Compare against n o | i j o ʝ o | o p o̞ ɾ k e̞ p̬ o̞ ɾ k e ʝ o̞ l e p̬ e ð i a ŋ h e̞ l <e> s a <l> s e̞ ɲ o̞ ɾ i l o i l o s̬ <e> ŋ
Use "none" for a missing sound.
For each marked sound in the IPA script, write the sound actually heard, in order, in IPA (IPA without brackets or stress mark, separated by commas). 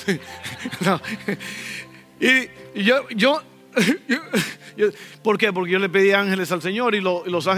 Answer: e, l, a